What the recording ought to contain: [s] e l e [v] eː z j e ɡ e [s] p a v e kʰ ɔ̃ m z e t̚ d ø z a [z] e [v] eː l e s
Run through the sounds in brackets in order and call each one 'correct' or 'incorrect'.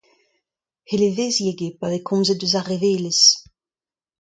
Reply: incorrect: h, correct, incorrect: none, incorrect: ʁ, correct

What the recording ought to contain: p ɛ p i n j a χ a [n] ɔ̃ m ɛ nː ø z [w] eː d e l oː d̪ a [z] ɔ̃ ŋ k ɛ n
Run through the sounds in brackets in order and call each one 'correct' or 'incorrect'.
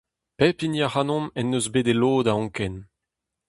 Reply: correct, incorrect: b, incorrect: none

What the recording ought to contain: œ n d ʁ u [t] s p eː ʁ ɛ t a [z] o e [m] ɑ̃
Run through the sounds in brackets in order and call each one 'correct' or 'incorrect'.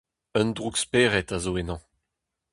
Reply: incorrect: k, correct, incorrect: n

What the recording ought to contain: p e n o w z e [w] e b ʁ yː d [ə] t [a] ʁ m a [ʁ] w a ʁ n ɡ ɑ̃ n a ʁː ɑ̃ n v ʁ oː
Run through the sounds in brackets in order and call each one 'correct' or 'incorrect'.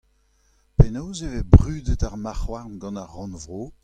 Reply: incorrect: v, correct, correct, incorrect: χ

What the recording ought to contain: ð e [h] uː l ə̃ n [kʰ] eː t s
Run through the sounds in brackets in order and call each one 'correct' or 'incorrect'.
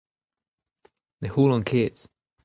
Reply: correct, correct

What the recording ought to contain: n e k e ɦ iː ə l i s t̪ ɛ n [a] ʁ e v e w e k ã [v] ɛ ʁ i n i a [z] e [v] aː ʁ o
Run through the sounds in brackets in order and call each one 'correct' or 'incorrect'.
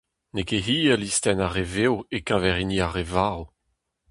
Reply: correct, correct, incorrect: ʁ, correct

